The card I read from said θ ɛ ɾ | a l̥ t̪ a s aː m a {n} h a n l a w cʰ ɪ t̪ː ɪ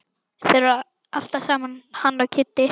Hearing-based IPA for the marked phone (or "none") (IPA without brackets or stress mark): n